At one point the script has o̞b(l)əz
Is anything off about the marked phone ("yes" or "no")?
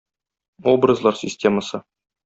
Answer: yes